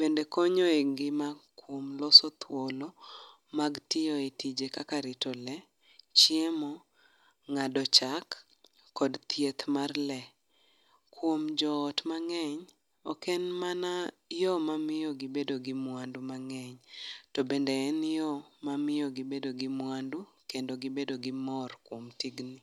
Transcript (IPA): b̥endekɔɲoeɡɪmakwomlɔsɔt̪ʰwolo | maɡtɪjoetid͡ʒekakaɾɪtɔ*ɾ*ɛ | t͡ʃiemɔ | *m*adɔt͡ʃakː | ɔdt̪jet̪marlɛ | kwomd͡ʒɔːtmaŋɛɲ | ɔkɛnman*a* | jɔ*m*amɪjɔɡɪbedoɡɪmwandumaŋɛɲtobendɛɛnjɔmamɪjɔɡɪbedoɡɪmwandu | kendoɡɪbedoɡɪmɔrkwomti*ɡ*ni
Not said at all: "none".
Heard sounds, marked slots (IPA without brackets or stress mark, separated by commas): l, ŋ, a, m, ɡ